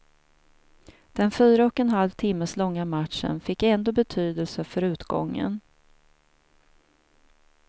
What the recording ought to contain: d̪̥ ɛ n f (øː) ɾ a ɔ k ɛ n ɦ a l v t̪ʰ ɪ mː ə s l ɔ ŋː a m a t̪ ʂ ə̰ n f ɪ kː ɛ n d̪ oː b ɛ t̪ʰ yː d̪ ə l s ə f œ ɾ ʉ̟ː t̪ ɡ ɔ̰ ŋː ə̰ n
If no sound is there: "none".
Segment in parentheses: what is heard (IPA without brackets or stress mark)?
yː